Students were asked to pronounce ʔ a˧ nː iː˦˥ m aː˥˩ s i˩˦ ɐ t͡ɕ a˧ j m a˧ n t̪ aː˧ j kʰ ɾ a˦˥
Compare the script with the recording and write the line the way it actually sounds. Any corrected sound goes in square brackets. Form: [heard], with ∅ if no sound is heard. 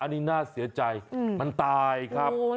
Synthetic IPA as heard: ʔ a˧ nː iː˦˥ [n] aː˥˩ s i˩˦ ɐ t͡ɕ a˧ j m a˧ n t̪ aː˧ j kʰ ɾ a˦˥